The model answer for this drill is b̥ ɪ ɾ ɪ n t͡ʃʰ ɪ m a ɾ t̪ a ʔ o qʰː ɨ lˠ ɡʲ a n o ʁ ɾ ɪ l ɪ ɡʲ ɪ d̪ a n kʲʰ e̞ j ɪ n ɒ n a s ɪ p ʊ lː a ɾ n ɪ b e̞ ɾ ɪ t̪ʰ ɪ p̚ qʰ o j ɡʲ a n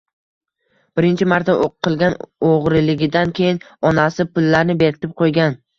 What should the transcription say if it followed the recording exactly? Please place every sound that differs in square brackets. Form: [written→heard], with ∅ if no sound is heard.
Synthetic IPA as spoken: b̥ ɪ ɾ ɪ n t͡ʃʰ ɪ m a ɾ t̪ a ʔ o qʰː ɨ lˠ ɡʲ a n o ʁ ɾ ɪ l ɪ ɡʲ ɪ d̪ a n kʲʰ e̞ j ɪ n ɒ n a s ɪ p ʊ lː a ɾ n ɪ b e̞ ɾ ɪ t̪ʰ ɪ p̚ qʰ o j ɡʲ a n